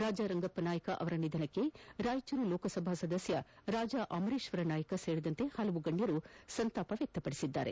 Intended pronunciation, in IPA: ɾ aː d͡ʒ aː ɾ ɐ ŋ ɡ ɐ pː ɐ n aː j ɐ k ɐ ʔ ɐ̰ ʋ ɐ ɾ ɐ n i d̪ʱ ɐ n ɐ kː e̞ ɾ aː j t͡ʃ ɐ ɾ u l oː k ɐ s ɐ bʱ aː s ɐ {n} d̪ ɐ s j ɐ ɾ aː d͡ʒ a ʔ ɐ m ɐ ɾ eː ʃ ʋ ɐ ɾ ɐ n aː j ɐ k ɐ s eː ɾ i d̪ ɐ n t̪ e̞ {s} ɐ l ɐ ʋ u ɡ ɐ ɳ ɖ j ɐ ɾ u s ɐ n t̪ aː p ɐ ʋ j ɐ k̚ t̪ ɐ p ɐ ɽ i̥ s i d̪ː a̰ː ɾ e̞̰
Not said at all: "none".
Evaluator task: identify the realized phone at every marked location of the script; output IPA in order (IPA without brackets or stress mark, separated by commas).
none, h